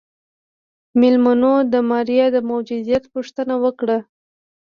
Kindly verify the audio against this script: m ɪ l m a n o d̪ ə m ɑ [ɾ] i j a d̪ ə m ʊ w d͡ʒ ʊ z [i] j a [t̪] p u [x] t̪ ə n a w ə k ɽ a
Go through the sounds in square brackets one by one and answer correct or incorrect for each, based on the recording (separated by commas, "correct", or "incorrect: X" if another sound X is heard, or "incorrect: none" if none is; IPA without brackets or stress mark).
correct, correct, correct, incorrect: ʂ